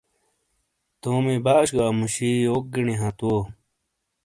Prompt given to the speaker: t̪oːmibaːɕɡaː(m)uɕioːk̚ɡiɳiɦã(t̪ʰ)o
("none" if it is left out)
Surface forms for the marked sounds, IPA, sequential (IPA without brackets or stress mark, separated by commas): m, t̪